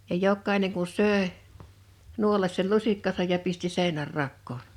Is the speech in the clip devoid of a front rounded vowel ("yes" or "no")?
no